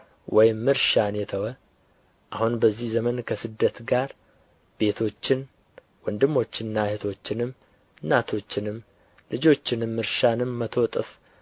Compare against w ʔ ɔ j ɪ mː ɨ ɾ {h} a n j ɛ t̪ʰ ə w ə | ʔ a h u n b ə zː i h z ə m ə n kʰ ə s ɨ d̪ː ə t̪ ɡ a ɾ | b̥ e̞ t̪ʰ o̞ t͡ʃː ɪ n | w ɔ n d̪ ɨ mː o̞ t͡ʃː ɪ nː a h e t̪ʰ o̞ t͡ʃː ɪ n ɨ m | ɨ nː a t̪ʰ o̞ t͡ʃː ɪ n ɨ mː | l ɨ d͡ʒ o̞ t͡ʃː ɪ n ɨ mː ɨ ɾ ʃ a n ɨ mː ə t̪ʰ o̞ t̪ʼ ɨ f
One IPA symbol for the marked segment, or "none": ʃ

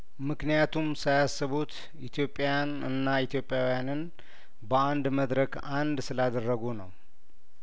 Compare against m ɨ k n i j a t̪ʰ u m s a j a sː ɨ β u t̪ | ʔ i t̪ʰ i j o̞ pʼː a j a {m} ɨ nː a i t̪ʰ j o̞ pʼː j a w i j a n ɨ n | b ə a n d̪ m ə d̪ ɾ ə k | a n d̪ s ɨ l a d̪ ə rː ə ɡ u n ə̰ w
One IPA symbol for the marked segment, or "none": n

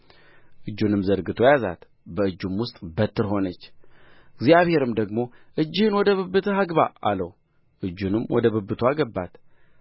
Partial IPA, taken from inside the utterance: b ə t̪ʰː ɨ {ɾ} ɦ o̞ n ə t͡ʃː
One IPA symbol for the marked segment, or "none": ɾ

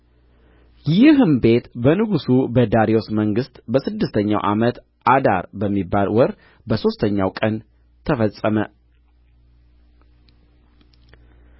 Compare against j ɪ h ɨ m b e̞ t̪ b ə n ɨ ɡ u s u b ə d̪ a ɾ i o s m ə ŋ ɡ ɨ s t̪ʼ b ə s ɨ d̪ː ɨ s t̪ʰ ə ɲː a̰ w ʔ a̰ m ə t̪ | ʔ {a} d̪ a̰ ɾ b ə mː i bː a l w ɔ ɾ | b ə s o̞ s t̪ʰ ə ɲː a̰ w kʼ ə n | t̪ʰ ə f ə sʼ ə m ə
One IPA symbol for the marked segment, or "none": a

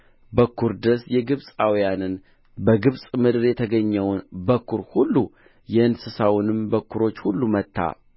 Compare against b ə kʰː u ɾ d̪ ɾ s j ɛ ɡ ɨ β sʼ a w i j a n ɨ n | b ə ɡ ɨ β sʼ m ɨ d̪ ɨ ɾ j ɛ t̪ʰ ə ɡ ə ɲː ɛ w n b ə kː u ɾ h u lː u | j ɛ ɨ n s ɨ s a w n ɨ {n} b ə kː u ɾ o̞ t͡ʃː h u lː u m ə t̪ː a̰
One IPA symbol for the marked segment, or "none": m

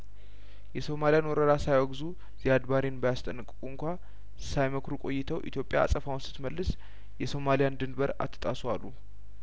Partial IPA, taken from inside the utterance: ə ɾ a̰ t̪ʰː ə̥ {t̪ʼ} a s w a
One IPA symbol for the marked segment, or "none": t̪ʼ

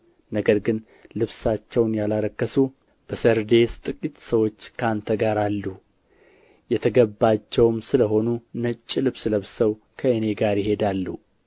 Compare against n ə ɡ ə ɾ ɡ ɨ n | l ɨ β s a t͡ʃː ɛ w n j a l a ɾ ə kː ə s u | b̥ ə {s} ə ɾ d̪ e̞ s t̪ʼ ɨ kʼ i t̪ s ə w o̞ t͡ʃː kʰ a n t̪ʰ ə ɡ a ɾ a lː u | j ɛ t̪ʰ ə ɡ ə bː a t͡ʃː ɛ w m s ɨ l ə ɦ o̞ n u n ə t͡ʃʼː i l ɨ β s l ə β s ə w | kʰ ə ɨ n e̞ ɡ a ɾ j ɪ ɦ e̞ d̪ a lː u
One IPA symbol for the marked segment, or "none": s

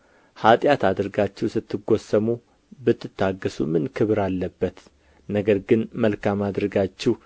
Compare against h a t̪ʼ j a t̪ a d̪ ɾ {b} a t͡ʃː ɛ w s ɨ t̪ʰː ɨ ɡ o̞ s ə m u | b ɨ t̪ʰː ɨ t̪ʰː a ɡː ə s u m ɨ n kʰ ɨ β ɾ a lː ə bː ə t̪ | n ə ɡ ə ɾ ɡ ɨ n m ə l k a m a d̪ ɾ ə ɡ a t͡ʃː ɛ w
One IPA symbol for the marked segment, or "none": ɡ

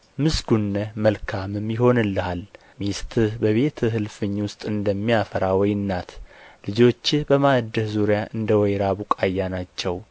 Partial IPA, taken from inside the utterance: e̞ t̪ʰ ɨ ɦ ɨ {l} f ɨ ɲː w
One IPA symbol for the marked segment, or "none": l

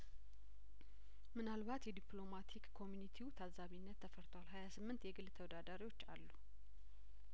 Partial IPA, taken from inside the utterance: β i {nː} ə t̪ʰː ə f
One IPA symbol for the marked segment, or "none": nː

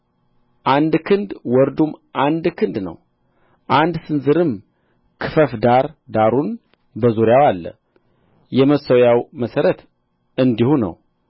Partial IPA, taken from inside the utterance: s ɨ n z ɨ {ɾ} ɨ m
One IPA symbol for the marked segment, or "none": ɾ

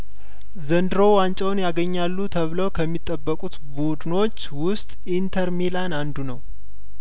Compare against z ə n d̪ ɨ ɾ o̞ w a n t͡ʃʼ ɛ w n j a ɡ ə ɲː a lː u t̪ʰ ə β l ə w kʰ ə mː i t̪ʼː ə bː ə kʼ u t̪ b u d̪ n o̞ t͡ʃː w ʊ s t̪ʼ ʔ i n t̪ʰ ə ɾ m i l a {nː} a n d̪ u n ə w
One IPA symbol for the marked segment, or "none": n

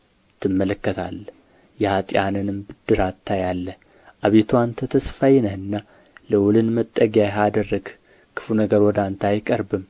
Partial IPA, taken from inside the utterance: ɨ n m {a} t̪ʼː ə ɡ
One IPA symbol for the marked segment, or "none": ə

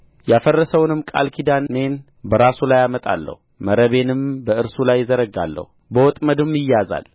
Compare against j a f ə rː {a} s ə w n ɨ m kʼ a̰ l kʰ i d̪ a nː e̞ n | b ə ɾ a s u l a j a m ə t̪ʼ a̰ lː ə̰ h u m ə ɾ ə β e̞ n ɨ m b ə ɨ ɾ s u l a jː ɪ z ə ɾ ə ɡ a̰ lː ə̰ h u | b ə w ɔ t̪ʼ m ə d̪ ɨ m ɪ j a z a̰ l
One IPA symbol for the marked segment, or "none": ə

